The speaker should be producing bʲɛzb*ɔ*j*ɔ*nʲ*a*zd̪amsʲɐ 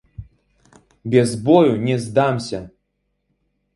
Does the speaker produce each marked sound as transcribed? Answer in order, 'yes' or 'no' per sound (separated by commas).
yes, no, no